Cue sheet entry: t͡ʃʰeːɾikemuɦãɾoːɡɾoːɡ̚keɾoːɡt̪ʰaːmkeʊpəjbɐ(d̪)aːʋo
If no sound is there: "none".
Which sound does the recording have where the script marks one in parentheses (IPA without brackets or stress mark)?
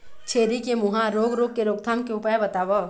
t̪